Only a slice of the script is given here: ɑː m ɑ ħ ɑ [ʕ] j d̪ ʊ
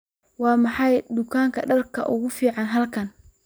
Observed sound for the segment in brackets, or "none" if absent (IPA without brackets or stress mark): none